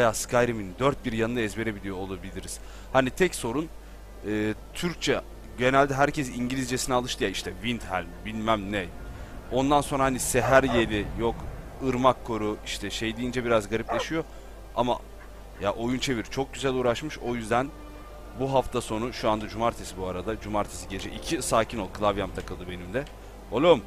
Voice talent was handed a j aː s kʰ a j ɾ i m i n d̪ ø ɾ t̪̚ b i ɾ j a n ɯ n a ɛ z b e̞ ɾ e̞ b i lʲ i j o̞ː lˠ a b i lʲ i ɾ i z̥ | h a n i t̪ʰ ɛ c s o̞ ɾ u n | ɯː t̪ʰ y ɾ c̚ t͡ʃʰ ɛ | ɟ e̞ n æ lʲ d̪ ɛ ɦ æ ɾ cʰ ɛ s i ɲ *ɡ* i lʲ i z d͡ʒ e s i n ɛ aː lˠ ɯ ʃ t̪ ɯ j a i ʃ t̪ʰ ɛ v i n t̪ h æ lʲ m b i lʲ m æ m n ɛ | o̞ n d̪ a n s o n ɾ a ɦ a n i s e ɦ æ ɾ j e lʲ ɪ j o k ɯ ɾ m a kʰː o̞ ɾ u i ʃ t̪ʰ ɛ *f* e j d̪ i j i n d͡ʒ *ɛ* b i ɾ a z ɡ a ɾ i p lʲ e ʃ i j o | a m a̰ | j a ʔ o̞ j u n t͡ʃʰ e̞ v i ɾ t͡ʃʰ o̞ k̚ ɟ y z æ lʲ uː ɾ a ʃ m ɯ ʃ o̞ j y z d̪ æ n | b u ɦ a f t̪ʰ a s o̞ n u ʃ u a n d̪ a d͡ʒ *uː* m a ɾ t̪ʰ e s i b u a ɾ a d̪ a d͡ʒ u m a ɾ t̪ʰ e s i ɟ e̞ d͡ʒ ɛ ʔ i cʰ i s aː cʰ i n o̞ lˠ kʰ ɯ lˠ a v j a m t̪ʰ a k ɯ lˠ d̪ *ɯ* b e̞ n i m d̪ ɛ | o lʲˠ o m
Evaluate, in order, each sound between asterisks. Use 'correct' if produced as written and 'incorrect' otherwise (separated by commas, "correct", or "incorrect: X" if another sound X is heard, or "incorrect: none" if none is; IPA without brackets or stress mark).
incorrect: ɟ, incorrect: ʃ, correct, incorrect: u, correct